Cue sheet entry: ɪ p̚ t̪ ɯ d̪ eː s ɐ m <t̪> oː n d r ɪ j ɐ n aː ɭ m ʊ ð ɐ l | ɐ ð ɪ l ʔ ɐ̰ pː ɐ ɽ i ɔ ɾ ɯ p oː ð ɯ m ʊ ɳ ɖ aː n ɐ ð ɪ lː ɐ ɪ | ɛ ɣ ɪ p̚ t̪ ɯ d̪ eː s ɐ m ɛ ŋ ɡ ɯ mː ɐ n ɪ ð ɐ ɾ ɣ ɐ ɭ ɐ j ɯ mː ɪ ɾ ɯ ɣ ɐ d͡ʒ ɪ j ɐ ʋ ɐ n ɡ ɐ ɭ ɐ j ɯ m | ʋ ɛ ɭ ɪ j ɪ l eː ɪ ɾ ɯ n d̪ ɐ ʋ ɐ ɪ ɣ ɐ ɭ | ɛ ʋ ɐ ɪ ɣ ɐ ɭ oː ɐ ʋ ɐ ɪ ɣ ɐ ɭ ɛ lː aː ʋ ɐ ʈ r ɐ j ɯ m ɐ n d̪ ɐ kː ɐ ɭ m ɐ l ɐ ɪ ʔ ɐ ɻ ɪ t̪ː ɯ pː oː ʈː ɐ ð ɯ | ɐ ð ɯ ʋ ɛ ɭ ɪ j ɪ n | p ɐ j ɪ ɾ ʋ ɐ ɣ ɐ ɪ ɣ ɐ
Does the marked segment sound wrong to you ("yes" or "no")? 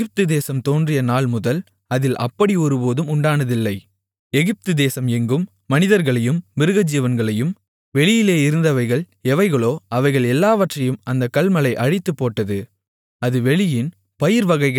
no